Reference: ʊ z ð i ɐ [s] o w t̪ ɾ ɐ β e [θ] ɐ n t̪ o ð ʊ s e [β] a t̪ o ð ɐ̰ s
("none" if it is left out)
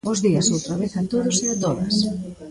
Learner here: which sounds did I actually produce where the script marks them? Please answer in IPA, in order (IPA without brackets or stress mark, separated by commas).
s, θ, none